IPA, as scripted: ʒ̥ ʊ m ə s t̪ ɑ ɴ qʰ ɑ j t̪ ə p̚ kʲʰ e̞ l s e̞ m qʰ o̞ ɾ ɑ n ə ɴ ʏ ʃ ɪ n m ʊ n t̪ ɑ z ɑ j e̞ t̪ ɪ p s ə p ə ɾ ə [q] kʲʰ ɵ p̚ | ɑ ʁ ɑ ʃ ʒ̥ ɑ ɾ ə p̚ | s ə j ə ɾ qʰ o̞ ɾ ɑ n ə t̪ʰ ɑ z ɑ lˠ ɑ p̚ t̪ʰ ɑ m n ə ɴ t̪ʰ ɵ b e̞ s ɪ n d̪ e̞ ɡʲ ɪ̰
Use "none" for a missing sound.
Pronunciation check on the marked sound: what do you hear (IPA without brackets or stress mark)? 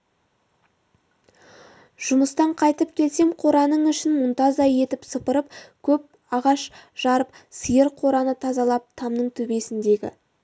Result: p